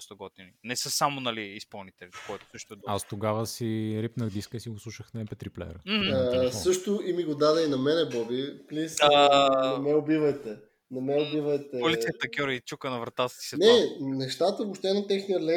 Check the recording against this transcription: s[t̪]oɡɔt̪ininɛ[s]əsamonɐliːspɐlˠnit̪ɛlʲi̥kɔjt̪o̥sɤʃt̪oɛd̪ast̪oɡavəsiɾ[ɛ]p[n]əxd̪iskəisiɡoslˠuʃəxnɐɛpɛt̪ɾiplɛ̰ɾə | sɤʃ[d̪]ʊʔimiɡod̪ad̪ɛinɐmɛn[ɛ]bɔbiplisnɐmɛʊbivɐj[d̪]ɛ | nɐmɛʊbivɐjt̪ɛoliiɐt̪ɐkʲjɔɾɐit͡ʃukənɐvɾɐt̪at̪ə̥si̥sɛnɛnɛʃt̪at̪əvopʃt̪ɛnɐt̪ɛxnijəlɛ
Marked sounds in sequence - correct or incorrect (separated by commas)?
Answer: correct, correct, incorrect, correct, incorrect, correct, incorrect